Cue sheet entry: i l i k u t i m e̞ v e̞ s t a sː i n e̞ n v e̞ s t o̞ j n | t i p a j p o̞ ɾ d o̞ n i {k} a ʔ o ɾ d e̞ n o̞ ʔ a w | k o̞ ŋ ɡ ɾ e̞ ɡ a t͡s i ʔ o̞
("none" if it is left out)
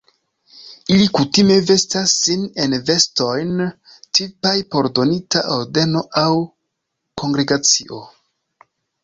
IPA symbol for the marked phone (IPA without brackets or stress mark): t